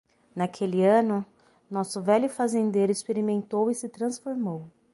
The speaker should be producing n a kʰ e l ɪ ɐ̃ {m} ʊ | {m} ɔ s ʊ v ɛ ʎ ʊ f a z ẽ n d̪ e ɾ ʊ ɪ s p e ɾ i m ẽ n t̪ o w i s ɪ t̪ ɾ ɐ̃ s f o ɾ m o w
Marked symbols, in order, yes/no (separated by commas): no, no